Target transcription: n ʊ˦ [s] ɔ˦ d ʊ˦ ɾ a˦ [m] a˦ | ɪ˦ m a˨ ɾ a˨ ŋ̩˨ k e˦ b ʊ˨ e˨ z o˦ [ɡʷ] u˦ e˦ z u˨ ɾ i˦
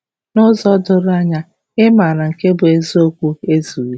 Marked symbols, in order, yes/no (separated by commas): no, no, no